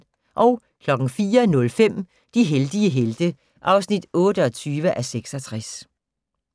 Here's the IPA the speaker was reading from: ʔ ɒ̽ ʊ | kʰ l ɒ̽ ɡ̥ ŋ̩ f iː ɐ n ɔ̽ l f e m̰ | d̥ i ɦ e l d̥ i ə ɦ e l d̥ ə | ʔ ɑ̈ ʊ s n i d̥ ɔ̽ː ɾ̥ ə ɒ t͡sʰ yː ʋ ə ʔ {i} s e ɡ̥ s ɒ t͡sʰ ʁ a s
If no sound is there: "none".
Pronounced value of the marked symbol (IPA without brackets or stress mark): æ